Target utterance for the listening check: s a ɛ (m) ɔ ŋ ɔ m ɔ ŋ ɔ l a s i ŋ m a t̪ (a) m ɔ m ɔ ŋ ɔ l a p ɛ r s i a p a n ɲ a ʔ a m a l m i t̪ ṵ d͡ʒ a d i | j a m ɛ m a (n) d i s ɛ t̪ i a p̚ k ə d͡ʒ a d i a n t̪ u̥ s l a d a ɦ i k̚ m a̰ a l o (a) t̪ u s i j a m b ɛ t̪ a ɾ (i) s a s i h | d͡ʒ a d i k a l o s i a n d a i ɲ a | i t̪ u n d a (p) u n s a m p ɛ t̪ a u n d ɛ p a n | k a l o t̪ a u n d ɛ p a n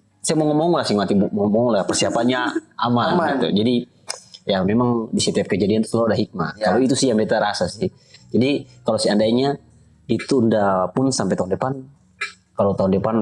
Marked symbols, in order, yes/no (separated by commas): yes, no, no, no, no, yes